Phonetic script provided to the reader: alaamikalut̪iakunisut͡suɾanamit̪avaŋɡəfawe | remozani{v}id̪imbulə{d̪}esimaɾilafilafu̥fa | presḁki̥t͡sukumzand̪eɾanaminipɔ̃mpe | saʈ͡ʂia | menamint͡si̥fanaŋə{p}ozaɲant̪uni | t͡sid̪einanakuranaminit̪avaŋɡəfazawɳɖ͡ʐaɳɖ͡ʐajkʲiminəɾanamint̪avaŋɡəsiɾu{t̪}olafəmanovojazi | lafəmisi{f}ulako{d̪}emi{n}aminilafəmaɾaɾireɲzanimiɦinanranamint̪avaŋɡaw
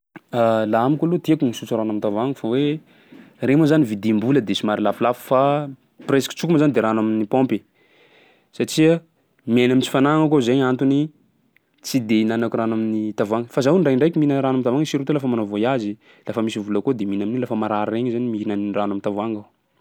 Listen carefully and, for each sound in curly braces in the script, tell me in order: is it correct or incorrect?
correct, correct, incorrect: k, correct, incorrect: v, correct, correct

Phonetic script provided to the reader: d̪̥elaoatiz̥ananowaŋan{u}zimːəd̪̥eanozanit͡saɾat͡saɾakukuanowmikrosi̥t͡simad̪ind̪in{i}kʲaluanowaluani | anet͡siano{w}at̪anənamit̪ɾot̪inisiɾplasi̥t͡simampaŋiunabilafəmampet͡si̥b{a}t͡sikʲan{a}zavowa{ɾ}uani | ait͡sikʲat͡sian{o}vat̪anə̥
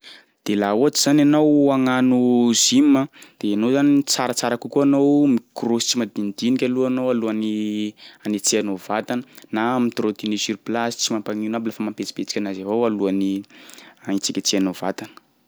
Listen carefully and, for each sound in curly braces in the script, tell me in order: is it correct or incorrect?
correct, correct, incorrect: v, incorrect: e, correct, incorrect: l, correct

